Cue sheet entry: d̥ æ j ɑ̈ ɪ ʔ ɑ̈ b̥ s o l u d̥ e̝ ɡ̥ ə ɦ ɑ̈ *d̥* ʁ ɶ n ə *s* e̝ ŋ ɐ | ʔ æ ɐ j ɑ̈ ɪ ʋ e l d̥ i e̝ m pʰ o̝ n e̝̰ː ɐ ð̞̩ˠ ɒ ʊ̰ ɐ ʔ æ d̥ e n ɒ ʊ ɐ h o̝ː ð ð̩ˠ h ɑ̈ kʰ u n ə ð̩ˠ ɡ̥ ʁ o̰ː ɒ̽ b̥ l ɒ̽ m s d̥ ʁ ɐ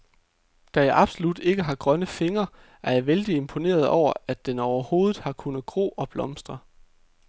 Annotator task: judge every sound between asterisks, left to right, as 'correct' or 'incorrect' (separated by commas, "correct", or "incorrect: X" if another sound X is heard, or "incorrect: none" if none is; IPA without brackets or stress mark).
incorrect: ɡ̥, incorrect: f